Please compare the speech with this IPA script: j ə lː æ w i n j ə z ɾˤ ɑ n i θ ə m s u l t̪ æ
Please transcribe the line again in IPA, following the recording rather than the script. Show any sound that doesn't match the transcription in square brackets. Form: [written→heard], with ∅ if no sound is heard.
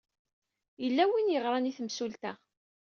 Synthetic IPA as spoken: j ə lː æ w i n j ə [z→ʁ] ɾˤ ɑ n i θ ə m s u l t̪ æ